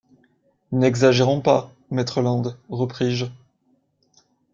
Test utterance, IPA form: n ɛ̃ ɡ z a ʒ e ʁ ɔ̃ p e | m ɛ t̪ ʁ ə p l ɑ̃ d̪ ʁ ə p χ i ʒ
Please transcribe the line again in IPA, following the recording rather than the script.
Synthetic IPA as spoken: n ɛ ɡ z a ʒ e ʁ ɔ̃ p a | m ɛ t̪ χ ə l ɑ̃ d̪ ʁ ə p χ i ʒ

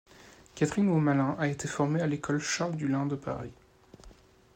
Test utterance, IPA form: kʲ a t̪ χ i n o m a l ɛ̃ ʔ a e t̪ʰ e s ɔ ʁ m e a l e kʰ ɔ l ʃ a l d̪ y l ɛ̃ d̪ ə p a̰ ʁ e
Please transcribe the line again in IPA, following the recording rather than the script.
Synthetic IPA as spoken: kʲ a t̪ χ i n o m a l ɛ̃ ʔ a e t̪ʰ e f ɔ ʁ m e a l e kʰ ɔ l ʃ a l d̪ y l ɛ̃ d̪ ə p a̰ ʁ i

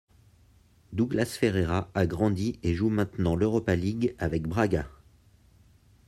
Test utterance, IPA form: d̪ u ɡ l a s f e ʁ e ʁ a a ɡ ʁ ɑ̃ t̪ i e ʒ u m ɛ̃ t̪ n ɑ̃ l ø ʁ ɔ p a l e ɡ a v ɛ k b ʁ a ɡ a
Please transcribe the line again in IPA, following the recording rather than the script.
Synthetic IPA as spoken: d̪ u ɡ l a s f e ʁ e ʁ a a ɡ ʁ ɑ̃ d̪ i e ʒ u m ɛ̃ t̪ n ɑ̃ l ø ʁ ɔ p a l i ɡ a v ɛ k b ʁ a ɡ a

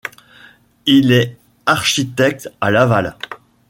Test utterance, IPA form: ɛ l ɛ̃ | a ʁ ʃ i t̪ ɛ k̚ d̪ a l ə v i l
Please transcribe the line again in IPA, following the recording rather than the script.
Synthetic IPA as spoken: i l ɛ | a ʁ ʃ i t̪ ɛ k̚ t̪ a l a v a l

